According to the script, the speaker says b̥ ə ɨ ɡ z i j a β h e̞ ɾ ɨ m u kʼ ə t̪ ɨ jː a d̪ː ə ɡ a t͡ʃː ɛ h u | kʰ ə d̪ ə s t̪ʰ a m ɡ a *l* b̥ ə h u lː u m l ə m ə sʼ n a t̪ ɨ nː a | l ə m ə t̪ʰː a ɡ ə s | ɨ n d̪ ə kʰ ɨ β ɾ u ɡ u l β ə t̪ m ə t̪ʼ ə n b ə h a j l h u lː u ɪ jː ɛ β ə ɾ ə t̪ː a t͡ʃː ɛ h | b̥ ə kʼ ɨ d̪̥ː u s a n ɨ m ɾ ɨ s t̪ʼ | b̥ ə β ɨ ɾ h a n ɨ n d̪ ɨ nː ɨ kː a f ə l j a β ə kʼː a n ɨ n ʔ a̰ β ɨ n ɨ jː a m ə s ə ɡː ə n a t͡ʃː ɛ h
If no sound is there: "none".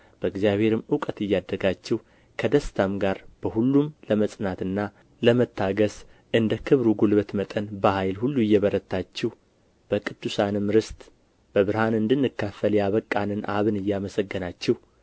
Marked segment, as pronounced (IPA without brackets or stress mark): ɾ